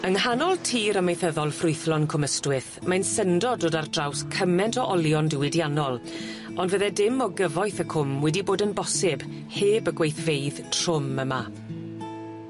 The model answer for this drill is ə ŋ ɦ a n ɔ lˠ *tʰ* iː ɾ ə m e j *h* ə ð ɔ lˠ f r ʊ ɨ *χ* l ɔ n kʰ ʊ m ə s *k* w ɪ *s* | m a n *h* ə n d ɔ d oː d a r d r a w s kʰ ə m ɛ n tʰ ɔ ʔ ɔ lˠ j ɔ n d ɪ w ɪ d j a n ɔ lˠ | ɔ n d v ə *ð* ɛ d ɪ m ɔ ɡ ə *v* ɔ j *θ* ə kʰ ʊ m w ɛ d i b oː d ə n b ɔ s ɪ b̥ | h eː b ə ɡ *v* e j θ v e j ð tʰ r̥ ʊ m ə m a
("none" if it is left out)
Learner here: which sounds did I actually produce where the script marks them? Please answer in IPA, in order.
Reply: tʰ, θ, θ, t, θ, s, ð, v, θ, w

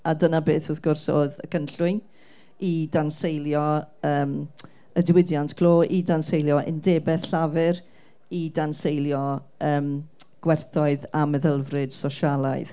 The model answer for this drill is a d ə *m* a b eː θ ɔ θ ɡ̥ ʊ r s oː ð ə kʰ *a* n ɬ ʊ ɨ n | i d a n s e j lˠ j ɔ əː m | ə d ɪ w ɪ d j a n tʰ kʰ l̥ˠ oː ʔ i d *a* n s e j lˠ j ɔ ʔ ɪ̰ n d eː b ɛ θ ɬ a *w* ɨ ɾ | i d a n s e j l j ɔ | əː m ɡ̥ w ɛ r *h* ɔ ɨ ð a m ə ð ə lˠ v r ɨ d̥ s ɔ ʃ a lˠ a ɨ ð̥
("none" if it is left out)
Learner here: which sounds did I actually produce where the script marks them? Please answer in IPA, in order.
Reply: n, ə, a, v, θ

